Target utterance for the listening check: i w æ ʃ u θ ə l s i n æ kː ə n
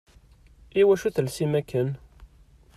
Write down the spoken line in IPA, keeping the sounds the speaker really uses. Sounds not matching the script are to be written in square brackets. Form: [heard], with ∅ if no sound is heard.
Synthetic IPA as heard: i w æ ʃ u θ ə l s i [m] æ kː ə n